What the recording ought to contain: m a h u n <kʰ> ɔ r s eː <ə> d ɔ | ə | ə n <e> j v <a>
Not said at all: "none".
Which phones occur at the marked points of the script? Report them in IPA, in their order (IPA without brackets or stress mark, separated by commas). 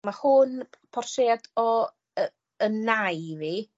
pʰ, a, a, i